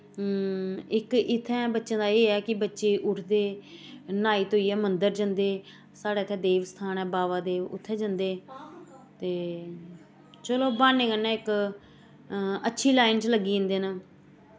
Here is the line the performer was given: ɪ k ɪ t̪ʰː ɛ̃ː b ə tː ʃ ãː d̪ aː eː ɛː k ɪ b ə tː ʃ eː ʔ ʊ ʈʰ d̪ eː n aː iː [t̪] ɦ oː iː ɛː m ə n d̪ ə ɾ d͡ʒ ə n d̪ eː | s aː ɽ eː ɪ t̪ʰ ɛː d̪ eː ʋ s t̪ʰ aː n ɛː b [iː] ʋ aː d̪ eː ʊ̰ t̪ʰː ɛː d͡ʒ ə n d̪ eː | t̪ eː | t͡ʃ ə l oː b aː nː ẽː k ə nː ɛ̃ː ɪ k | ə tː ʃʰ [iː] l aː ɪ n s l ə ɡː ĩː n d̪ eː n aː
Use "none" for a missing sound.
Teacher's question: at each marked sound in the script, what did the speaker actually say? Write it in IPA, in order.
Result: t̪, aː, iː

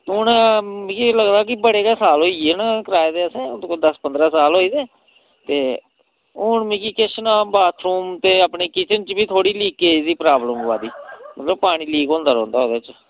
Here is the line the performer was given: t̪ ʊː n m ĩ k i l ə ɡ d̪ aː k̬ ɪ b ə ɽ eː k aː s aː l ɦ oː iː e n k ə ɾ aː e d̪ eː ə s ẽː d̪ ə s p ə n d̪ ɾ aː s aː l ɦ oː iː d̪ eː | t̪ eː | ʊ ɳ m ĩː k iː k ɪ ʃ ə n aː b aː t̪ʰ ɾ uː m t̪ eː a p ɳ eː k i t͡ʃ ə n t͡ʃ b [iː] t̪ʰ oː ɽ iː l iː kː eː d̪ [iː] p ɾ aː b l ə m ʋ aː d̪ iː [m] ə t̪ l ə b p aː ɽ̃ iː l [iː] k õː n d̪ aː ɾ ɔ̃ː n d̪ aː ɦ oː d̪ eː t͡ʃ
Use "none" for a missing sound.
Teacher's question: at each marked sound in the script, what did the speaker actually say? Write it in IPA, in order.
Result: iː, iː, m, iː

